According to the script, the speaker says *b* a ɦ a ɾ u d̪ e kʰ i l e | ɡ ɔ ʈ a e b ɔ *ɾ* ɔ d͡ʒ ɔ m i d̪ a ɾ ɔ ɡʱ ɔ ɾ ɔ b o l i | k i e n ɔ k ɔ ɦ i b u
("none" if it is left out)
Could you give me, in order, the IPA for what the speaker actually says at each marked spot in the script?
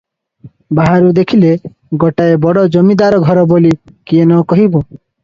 b, ɽ

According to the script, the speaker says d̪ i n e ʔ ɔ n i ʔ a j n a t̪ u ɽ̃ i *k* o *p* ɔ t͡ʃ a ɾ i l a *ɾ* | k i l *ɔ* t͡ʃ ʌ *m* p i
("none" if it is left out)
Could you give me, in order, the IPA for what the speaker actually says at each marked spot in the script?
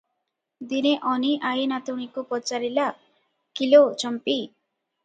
k, p, none, o, m

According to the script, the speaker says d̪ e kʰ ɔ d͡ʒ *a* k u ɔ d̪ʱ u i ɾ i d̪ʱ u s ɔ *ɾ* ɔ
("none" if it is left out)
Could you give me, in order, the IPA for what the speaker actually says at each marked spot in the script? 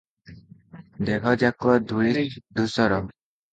a, ɾ

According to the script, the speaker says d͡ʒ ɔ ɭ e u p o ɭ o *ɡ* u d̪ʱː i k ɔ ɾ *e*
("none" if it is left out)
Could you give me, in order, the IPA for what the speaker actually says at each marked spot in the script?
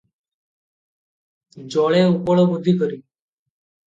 b, i

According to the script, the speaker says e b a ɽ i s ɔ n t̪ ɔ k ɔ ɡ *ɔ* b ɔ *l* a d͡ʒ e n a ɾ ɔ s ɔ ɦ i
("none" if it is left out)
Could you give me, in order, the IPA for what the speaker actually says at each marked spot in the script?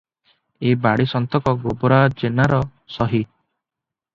o, ɾ

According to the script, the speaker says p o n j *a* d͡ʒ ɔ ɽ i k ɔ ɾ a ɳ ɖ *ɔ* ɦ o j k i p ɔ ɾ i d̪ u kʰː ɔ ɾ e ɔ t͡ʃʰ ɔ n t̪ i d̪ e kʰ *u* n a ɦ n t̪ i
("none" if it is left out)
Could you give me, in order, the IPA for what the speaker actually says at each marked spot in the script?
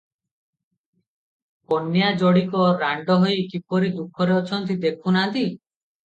a, ɔ, u

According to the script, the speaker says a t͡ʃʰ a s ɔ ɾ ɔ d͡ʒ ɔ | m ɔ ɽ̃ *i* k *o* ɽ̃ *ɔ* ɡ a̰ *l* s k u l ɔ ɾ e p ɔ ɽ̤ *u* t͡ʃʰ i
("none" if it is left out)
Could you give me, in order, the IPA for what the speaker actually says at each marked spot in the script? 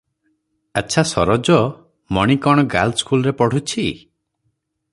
i, ɔ, ɔ, l, u

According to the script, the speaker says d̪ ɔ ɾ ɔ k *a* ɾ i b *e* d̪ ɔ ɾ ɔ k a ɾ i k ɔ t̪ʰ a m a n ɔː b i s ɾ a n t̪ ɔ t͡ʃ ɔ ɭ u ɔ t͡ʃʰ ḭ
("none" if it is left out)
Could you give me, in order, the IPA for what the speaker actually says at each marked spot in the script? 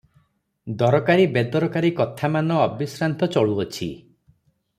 a, e

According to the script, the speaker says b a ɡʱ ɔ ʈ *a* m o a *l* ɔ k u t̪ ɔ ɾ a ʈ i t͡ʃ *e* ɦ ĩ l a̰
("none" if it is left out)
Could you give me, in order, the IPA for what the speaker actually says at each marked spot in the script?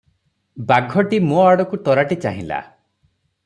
i, ɽ, a

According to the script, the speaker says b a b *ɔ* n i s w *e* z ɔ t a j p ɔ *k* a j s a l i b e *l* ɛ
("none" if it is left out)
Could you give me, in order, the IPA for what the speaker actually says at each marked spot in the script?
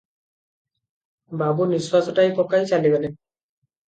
u, a, k, l

